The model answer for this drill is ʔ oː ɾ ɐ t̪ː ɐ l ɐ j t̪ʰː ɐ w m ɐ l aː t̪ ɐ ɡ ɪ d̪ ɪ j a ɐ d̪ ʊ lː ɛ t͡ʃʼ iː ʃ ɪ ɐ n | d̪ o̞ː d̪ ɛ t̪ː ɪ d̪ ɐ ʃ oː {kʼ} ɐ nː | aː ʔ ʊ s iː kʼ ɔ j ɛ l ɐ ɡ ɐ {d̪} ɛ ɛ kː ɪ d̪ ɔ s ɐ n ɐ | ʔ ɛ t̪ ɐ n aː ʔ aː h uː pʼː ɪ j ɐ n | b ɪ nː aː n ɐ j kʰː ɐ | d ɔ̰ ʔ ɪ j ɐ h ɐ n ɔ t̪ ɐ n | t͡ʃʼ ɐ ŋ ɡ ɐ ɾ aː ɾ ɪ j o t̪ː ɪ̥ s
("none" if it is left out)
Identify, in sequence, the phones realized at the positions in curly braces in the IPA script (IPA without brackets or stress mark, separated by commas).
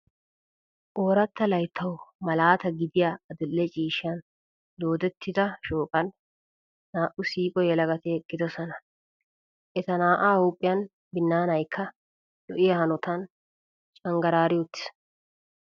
kʼ, t̪